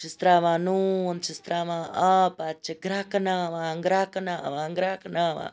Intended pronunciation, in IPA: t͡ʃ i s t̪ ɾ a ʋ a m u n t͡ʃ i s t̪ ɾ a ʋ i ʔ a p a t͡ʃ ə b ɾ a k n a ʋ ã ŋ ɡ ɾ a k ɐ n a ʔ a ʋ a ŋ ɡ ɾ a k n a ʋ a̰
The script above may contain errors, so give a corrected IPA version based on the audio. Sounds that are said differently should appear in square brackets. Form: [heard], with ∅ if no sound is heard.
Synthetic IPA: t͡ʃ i s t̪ ɾ a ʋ a [n] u n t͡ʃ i s t̪ ɾ a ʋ [a] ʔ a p a t͡ʃ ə [ɡ] ɾ a k n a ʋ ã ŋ ɡ ɾ a k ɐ n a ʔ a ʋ a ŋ ɡ ɾ a k n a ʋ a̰